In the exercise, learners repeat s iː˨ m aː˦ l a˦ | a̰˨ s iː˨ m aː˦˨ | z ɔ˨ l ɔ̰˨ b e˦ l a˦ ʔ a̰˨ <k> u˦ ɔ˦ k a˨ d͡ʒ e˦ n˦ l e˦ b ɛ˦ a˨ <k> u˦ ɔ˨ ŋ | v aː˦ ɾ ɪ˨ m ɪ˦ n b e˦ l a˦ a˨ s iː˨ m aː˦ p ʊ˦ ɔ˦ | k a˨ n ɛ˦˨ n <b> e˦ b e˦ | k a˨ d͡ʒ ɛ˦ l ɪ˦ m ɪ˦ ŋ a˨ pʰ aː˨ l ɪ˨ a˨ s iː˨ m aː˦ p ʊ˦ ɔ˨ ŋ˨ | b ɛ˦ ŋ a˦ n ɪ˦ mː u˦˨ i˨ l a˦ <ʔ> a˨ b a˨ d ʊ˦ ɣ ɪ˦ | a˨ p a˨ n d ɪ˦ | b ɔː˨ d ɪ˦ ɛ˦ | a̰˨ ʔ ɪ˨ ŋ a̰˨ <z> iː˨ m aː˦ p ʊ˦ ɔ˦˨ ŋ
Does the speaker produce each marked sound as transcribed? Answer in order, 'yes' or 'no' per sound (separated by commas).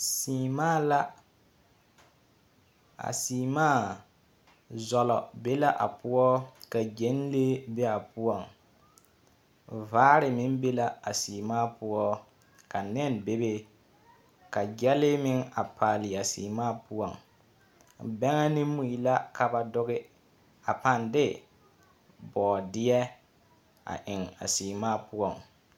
no, no, yes, no, no